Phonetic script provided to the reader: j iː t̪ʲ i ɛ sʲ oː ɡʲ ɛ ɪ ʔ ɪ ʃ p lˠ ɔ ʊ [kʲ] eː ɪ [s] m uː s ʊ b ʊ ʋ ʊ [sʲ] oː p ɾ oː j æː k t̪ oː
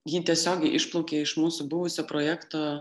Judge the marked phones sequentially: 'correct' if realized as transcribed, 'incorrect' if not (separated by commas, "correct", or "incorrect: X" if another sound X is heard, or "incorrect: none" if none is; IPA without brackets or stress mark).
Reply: correct, incorrect: ʃ, correct